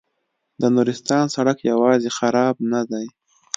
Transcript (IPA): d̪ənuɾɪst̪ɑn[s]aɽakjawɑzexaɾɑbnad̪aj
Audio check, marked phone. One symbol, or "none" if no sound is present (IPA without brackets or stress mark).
s